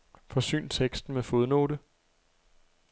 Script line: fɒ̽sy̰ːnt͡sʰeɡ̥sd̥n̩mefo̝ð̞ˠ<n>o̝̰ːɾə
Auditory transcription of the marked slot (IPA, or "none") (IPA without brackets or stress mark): n